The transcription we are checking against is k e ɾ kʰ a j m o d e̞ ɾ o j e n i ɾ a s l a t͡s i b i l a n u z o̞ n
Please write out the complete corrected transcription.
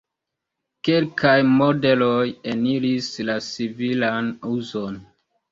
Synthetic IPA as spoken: k e l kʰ a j m o d e̞ l o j e n i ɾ i s l a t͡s i v i l a n u z o̞ n